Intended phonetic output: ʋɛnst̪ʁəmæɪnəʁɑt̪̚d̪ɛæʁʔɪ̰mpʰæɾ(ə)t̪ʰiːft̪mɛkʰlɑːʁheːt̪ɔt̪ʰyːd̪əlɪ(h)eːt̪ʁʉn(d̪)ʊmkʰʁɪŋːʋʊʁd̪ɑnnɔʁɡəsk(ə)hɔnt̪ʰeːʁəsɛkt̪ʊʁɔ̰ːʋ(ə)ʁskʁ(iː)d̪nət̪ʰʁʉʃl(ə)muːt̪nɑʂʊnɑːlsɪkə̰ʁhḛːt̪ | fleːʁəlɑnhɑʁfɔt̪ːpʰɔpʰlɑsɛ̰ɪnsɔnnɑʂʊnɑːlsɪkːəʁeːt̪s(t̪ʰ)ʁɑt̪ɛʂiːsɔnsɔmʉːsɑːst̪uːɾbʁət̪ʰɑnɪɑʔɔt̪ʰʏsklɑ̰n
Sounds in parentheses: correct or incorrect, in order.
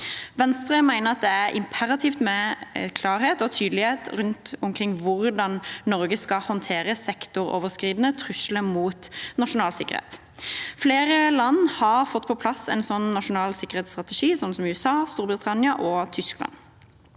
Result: incorrect, correct, incorrect, incorrect, correct, correct, correct, incorrect

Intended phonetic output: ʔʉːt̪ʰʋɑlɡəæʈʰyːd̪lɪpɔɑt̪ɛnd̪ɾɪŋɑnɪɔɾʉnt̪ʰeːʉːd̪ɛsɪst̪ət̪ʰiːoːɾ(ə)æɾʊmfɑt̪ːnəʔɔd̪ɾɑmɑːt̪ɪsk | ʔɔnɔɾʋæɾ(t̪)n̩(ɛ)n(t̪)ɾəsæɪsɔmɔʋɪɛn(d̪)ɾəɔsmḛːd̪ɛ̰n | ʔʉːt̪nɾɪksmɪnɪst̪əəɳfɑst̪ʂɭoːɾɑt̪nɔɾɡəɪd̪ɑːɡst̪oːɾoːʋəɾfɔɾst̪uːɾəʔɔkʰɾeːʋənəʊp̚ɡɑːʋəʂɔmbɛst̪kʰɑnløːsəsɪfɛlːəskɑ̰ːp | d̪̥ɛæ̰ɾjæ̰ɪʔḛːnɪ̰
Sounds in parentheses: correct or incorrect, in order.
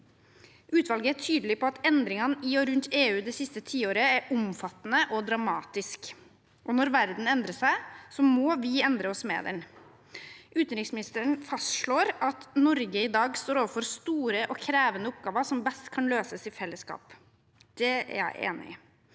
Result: correct, incorrect, correct, incorrect, correct

